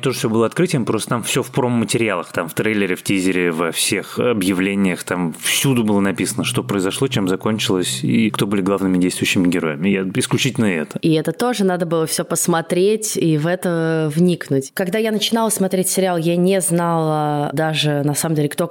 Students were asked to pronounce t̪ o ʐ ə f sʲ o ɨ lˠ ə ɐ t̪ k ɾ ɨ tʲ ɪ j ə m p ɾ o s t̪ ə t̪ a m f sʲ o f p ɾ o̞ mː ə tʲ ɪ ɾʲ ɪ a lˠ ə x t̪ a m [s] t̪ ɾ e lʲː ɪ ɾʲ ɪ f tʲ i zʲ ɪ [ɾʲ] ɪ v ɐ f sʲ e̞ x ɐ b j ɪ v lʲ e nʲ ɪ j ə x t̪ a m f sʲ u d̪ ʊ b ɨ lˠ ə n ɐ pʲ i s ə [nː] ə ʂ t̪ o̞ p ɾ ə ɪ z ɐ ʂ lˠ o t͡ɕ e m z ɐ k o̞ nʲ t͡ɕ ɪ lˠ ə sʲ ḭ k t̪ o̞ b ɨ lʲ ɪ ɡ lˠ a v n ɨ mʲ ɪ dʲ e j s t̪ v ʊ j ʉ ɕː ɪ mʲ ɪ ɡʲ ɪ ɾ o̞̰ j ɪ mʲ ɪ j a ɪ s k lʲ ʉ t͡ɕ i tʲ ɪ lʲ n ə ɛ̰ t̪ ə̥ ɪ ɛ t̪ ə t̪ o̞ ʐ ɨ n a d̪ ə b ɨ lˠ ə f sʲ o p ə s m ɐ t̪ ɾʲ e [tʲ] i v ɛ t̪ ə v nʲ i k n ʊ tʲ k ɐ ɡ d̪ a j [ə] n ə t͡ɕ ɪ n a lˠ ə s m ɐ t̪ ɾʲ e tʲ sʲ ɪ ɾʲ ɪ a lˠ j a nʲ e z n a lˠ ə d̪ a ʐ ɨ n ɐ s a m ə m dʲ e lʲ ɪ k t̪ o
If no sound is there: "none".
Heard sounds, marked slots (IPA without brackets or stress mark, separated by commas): f, ɾʲ, n, tʲ, a